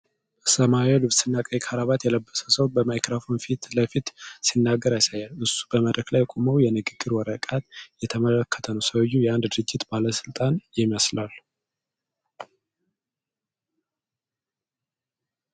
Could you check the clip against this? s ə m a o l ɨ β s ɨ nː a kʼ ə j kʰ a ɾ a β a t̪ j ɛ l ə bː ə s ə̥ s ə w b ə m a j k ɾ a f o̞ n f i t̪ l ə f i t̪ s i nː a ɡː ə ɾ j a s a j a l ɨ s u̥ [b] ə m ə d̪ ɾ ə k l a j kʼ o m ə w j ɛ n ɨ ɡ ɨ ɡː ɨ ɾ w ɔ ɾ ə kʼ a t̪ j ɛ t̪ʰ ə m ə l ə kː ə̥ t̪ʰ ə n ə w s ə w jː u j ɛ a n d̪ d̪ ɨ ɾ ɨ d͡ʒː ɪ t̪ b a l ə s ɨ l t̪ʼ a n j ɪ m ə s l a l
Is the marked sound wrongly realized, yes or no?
no